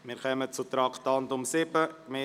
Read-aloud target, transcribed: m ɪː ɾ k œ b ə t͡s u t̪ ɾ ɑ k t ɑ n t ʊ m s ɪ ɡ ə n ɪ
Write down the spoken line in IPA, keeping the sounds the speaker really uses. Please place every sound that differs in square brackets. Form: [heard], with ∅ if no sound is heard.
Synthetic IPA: m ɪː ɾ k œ [m] ə t͡s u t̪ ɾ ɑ k t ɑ n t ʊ m s ɪ [b] ə [m] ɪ